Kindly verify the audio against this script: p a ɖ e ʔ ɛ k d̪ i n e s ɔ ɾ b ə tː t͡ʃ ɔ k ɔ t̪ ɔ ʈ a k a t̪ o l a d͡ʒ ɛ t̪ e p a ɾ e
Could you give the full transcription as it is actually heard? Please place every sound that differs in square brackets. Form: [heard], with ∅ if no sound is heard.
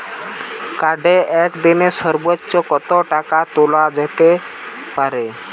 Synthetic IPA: [k] a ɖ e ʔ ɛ k d̪ i n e s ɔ ɾ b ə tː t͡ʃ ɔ k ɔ t̪ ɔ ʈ a k a t̪ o l a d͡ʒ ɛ t̪ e p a ɾ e